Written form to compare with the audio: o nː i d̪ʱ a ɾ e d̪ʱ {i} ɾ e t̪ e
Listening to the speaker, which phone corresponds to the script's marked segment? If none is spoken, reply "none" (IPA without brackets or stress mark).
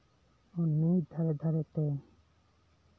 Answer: a